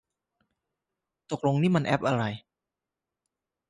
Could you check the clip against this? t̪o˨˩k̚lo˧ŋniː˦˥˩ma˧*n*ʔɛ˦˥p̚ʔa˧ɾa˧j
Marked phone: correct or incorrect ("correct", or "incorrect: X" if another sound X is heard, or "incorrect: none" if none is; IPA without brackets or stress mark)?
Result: correct